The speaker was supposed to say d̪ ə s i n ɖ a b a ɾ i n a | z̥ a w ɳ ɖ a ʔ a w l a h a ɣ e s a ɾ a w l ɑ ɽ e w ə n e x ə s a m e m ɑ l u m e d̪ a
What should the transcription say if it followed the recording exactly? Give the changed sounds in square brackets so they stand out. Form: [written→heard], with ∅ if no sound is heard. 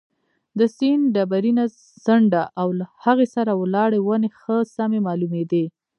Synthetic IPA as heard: d̪ ə s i n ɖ a b a ɾ i n a | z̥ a [w→∅] ɳ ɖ a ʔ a w l a h a ɣ e s a ɾ a w l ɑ ɽ e w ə n e x ə s a m e m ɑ l u m e d̪ [a→e]